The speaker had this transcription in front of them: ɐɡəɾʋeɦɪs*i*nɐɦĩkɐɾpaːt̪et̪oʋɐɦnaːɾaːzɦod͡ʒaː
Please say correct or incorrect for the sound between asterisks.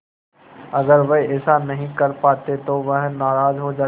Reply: incorrect